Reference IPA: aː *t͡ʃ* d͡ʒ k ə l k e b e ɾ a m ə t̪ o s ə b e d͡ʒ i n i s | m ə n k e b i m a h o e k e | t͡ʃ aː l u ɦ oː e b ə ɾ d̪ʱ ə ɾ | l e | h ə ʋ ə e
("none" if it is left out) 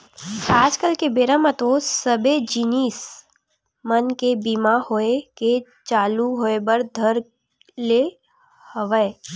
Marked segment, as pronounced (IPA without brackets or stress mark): none